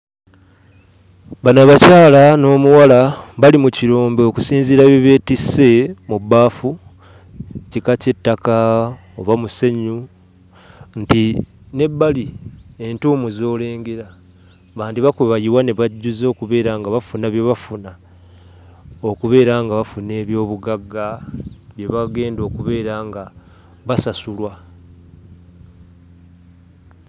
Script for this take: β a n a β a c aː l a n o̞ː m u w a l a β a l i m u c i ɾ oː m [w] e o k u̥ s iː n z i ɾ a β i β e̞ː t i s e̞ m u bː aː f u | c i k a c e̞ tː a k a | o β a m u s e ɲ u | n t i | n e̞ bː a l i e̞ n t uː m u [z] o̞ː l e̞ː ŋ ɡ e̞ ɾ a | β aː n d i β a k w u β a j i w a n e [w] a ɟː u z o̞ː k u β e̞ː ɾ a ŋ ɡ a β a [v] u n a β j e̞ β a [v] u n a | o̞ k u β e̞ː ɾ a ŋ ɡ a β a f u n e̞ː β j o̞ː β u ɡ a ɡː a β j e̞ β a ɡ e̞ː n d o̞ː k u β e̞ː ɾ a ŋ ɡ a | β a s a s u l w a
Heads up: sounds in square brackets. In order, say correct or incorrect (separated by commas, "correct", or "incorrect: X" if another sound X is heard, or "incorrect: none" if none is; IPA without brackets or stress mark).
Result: incorrect: b, correct, incorrect: β, incorrect: f, incorrect: f